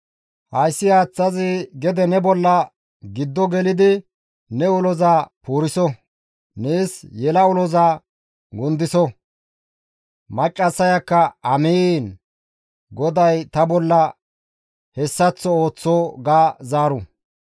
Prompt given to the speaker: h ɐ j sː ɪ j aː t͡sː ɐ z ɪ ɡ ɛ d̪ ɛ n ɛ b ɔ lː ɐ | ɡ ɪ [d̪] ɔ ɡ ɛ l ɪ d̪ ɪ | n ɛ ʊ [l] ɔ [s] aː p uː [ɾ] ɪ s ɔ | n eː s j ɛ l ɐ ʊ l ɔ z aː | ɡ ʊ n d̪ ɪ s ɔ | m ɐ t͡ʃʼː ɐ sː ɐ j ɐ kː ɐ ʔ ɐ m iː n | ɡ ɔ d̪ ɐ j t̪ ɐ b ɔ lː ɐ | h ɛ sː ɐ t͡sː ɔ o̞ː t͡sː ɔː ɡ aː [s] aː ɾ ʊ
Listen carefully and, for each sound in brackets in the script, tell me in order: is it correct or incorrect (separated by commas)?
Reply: incorrect, correct, incorrect, correct, incorrect